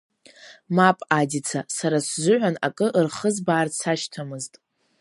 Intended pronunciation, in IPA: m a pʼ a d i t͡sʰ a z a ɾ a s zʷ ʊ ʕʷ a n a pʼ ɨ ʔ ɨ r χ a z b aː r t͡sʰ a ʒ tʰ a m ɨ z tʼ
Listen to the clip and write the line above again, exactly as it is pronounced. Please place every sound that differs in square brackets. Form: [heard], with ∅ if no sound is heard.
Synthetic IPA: m a pʼ a d i t͡sʰ a [s] a ɾ a s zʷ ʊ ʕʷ a n a [kʼ] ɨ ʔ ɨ r χ [ə] z b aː r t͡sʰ a [ʃ] tʰ a m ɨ z tʼ